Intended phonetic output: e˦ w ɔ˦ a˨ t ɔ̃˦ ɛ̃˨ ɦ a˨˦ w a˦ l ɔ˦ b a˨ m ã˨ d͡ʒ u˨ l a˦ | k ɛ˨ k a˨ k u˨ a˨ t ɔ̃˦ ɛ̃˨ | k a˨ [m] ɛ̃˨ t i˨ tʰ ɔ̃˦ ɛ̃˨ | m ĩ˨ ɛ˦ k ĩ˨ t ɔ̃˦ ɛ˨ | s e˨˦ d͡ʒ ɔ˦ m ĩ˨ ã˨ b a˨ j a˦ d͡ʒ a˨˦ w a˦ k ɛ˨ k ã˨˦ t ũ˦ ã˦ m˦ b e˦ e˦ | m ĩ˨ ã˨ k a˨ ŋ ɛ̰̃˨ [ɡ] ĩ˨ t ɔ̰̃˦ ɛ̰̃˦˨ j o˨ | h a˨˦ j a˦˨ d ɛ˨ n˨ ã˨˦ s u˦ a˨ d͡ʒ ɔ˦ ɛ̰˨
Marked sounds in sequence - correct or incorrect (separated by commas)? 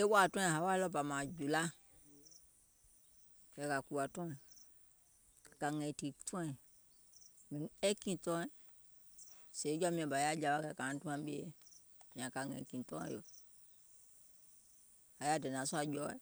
incorrect, incorrect